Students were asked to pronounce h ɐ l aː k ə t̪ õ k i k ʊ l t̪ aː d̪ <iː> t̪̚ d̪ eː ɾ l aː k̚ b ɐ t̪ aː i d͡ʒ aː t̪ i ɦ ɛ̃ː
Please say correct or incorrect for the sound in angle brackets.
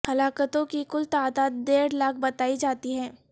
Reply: incorrect